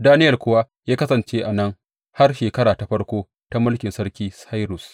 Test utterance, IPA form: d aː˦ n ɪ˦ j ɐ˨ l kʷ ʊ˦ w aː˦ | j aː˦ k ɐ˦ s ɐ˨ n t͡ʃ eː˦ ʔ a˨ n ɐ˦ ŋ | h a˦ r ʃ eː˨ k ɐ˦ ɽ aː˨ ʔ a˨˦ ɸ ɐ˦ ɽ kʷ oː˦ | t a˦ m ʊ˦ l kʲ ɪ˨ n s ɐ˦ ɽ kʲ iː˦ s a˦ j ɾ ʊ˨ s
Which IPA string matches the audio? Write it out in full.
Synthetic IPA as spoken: d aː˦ n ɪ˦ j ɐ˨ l kʷ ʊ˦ w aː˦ | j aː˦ k ɐ˦ s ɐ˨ n t͡ʃ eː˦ ʔ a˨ n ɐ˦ ŋ | h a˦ r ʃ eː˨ k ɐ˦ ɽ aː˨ t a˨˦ ɸ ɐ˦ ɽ kʷ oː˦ | t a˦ m ʊ˦ l kʲ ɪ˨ n s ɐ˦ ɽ kʲ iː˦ s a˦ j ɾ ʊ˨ s